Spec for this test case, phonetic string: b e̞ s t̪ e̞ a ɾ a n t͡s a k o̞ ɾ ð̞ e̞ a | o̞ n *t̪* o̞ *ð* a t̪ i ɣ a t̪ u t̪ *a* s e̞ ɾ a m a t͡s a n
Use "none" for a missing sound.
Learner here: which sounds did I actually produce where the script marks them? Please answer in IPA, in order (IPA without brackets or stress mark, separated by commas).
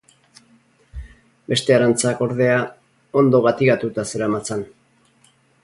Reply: d̪, ɣ, a